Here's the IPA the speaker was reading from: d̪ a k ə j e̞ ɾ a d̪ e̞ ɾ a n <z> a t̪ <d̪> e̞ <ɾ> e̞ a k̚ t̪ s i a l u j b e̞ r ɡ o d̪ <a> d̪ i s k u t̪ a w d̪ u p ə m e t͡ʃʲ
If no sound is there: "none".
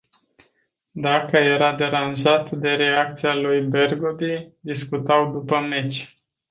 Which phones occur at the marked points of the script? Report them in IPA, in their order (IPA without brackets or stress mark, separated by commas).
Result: ʒ, d̪, ɾ, i